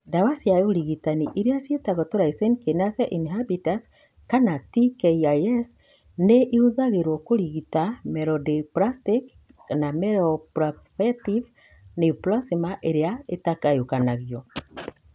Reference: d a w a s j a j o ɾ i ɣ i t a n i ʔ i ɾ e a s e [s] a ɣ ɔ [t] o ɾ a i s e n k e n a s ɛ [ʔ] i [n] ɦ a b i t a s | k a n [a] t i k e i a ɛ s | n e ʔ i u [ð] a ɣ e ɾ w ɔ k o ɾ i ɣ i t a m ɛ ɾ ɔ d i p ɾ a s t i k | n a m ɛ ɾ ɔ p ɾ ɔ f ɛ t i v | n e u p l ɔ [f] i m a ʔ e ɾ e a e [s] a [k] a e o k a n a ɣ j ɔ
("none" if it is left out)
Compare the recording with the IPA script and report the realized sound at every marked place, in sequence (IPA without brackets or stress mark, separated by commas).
t, t, ʔ, n, a, ð, s, t, k